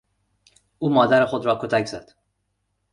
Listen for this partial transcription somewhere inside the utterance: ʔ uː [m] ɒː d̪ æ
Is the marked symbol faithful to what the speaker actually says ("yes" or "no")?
yes